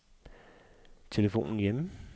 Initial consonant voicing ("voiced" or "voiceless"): voiceless